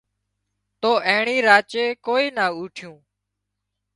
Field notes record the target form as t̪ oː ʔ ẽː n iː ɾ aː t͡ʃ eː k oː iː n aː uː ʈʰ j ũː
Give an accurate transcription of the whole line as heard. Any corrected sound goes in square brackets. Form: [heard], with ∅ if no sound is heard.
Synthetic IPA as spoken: t̪ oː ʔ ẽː [ɳ] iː ɾ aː t͡ʃ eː k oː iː n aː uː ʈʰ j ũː